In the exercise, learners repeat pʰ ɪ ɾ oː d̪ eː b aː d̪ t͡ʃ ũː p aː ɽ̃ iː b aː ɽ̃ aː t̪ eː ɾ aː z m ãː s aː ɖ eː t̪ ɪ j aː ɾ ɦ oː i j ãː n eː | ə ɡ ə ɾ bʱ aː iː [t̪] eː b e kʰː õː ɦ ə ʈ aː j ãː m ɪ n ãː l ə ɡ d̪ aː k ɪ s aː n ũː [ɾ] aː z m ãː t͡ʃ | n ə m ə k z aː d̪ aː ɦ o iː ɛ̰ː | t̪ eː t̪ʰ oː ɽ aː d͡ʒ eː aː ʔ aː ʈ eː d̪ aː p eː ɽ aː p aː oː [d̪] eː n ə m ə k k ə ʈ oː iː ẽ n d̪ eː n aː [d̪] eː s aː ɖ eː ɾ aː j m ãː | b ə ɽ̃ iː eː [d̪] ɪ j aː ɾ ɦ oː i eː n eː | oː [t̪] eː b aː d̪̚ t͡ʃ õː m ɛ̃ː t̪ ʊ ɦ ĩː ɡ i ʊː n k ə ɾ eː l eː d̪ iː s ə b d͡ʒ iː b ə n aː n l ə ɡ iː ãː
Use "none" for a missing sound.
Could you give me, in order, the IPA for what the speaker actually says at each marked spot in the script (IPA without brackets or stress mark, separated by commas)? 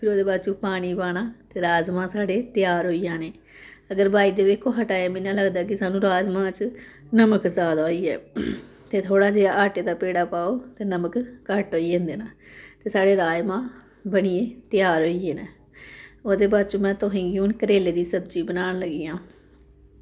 d̪, ɾ, t̪, t̪, t̪, d̪